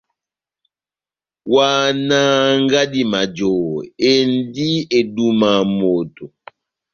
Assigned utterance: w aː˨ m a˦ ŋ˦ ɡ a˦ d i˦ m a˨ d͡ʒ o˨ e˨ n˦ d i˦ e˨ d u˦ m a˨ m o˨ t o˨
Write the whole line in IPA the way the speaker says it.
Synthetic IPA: w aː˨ n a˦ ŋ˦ ɡ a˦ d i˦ m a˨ d͡ʒ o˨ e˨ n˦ d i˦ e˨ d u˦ m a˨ m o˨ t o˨